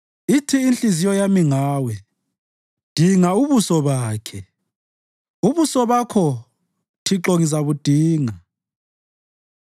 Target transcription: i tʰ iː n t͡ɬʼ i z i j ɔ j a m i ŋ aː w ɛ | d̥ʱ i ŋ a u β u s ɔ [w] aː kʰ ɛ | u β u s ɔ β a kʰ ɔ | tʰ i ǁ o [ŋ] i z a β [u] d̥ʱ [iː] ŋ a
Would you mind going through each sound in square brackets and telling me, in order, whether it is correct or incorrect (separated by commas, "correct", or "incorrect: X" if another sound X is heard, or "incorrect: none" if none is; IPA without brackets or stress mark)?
incorrect: β, correct, correct, correct